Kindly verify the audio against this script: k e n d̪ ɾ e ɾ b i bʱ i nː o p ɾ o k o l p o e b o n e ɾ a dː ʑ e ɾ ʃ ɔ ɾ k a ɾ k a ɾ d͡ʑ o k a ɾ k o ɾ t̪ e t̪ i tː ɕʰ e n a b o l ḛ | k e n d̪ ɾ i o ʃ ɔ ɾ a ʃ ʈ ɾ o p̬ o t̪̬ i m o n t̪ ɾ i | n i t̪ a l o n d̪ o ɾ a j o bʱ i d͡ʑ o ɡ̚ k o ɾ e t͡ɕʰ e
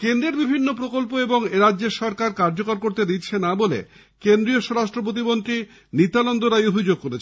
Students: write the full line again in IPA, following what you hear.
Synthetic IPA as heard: k e n d̪ ɾ e ɾ b i bʱ i nː o p ɾ o k o l p o e b o ŋ e ɾ a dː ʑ e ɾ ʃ ɔ ɾ k a ɾ k a ɾ d͡ʑ o k a ɾ k o ɾ t̪ e d̪ i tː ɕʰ e n a b o l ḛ | k e n d̪ ɾ i o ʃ ɔ ɾ a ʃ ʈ ɾ o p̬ o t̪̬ i m o n t̪ ɾ i | n i t̪ a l o n d̪ o ɾ a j o bʱ i d͡ʑ o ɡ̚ k o ɾ e t͡ɕʰ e

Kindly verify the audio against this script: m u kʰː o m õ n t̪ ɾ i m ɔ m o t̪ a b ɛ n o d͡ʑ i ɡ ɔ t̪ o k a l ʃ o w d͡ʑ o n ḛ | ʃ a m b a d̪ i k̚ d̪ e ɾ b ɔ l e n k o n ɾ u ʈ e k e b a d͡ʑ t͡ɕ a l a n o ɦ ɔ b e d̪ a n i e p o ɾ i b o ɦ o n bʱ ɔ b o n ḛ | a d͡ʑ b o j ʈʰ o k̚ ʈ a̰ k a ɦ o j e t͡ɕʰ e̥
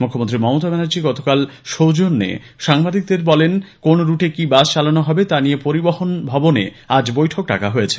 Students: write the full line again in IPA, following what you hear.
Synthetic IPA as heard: m u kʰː o m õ n t̪ ɾ i m ɔ m o t̪ a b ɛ n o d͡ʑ i ɡ ɔ t̪ o k a l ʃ o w d͡ʑ o nː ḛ | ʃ a ŋ b a d̪ i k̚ d̪ e ɾ b ɔ l e n k o n ɾ u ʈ e k i b a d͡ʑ t͡ɕ a l a n o ɦ ɔ b e t̪ a n i e p o ɾ i b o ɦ o n bʱ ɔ b o n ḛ | a d͡ʑ b o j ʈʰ o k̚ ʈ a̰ k a ɦ o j e t͡ɕʰ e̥

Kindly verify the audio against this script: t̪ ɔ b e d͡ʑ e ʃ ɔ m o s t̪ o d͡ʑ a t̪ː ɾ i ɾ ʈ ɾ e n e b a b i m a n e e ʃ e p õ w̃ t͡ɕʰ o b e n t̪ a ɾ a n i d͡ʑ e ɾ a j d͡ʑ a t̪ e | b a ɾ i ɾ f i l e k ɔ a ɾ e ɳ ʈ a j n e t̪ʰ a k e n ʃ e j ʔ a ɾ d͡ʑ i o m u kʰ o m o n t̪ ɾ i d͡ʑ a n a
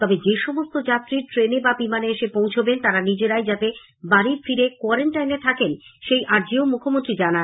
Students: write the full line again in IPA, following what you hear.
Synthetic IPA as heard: t̪ ɔ b e d͡ʑ e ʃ ɔ m o s t̪ o d͡ʑ a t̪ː ɾ i ɾ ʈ ɾ e n e b a b i m a n e e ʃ e p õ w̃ t͡ɕʰ o b e n t̪ a ɾ a n i d͡ʑ e ɾ a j d͡ʑ a t̪ e | b a ɾ i ɾ f i ɾ e k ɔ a ɾ e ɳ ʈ a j n e t̪ʰ a k e n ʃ e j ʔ a ɾ d͡ʑ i o m u kʰ o m o n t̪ ɾ i d͡ʑ a n a

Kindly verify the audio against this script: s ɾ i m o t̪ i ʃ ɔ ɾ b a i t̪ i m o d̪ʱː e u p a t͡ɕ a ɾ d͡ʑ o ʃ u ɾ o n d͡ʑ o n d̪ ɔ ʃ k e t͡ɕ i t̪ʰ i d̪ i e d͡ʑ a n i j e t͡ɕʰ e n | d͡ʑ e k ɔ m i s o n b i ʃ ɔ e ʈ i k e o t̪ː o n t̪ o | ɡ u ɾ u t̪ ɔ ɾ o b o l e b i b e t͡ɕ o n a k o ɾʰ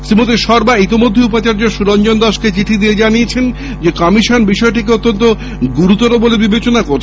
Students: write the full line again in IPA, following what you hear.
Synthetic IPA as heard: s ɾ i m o t̪ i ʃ ɔ ɾ b a i t̪ i m o d̪ʱː e u p a t͡ɕ a ɾ d͡ʑ o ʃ u ɾ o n d͡ʑ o n d̪ ɔ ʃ k e t͡ɕ i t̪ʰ i d̪ i e d͡ʑ a n i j e t͡ɕʰ e n | d͡ʑ e k ɔ m i ʃ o n b i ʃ ɔ e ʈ i k e o t̪ː o n t̪ o | ɡ u ɾ u t̪ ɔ ɾ o b o l e b i b e t͡ɕ o n a k o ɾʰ

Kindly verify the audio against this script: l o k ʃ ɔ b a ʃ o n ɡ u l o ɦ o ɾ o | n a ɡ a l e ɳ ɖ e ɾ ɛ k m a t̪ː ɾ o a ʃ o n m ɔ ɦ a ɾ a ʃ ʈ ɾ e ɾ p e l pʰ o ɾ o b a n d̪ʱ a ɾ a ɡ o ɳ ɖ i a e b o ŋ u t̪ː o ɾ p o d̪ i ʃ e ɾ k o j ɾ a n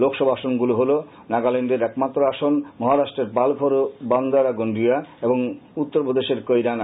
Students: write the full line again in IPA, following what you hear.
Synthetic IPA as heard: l o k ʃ ɔ b a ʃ o n ɡ u l o ɦ o l o | n a ɡ a l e ɳ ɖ e ɾ ɛ k m a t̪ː ɾ o a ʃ o n m ɔ ɦ a ɾ a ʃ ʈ ɾ e ɾ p a l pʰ o ɾ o b a n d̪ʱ a ɾ a ɡ o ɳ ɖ i a e b o ŋ u t̪ː o ɾ p o d̪ e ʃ e ɾ k o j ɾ a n

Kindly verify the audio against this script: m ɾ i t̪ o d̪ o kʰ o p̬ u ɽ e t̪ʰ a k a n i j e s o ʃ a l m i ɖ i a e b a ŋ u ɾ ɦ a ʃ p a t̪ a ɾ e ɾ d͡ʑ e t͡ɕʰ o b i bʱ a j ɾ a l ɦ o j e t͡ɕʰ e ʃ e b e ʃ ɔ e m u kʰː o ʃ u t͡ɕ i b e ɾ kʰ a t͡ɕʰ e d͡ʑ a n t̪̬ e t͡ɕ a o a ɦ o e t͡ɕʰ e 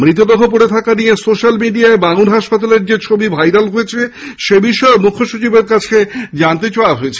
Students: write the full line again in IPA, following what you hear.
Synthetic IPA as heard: m ɾ i t̪ o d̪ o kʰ o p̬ o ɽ e t̪ʰ a k a n i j e s o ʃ a l m i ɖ i a e b a ŋ u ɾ ɦ a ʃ p a t̪ a l e ɾ d͡ʑ e t͡ɕʰ o b i bʱ a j ɾ a l ɦ o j e t͡ɕʰ e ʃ e b i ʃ ɔ e m u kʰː o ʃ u t͡ɕ i b e ɾ k a t͡ɕʰ e d͡ʑ a n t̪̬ e t͡ɕ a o a ɦ o e t͡ɕʰ e

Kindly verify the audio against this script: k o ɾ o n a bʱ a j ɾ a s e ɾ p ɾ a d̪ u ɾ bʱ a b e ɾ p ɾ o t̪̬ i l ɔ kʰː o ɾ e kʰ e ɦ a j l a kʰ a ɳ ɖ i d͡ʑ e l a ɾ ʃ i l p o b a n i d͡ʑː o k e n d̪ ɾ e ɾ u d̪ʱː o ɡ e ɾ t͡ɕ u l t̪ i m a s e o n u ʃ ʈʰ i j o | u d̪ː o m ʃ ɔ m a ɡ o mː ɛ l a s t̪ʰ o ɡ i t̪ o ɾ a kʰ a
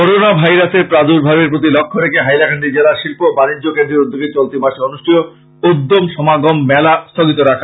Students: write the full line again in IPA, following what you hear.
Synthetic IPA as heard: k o ɾ o n a bʱ a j ɾ a s e ɾ p ɾ a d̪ u ɾ bʱ a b e ɾ p ɾ o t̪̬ i l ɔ kʰː o ɾ e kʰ e ɦ a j l a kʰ a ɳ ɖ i d͡ʑ e l a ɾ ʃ i l p o b a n i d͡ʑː o k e n d̪ ɾ e ɾ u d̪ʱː o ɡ e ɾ t͡ɕ o l t̪ i m a ʃ e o n u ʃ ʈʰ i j o | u d̪ː o m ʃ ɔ m a ɡ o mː ɛ l a s t̪ʰ o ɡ i t̪ o ɾ a kʰ a

